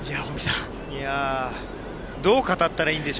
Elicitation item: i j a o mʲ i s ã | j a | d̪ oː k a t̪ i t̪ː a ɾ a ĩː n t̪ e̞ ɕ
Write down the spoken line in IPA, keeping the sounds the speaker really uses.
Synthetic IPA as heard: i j a o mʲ i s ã | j a | d̪ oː k a t̪ a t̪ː a ɾ a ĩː n d̪ e̞ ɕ